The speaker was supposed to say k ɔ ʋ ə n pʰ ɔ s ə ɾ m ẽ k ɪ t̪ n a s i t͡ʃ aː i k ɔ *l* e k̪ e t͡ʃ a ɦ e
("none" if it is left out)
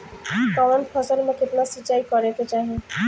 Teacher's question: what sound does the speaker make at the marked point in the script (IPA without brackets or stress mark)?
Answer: ɾ